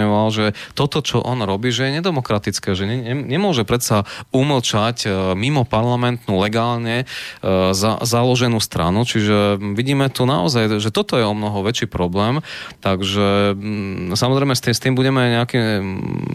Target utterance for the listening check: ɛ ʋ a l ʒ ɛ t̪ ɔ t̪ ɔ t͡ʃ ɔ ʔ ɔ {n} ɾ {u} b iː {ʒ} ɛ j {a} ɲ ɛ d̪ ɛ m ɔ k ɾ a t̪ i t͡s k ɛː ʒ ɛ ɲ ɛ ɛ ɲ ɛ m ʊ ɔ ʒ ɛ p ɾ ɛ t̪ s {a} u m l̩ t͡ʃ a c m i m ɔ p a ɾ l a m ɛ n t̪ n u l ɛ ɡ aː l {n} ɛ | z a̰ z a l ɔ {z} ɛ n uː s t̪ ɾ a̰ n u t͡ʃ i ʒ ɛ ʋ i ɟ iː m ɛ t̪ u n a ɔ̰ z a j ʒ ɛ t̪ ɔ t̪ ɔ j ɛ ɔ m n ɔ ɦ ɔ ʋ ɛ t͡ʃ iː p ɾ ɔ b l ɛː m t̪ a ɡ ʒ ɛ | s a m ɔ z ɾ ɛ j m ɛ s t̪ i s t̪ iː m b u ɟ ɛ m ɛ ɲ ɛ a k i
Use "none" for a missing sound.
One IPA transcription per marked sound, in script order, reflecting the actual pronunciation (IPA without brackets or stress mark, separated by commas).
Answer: n, ɔ, ʒ, ɛ, a, ɲ, ʒ